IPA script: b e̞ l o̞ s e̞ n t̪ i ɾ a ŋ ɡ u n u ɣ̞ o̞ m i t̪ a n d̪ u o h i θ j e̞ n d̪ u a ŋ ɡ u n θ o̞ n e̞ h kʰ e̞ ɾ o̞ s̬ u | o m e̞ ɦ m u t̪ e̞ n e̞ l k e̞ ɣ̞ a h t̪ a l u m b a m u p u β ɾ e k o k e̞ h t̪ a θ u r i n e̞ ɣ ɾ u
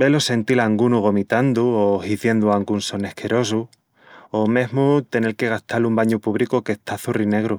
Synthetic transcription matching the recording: b e̞ l o̞ s e̞ n t̪ i l a ŋ ɡ u n u ɣ̞ o̞ m i t̪ a n d̪ u o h i θ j e̞ n d̪ u a ŋ ɡ u n s o̞ n e̞ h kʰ e̞ ɾ o̞ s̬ u | o m e̞ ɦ m u t̪ e̞ n e̞ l k e̞ ɣ̞ a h t̪ a l u m b a ɲ u p u β ɾ i k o k e̞ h t̪ a θ u r i n e̞ ɣ ɾ u

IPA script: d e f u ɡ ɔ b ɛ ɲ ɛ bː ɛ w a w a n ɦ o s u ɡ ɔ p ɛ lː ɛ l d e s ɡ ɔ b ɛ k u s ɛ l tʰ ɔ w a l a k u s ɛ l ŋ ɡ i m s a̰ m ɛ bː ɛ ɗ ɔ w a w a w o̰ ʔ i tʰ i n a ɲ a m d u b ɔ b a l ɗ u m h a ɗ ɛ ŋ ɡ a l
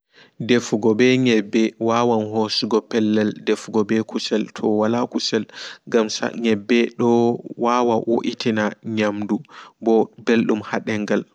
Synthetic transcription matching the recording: d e f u ɡ ɔ b ɛ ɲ ɛ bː ɛ w a w a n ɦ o s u ɡ ɔ p ɛ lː ɛ l d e f ɡ ɔ b ɛ k u s ɛ l tʰ ɔ w a l a k u s ɛ l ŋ ɡ a m s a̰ ɲ ɛ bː ɛ ɗ ɔ w a w a w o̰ ʔ i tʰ i n a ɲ a m d u b ɔ b e l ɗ u m h a ɗ ɛ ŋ ɡ a l

